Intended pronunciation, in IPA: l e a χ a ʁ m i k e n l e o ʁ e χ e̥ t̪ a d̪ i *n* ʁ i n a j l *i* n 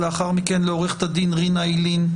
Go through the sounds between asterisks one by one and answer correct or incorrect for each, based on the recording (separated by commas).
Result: correct, correct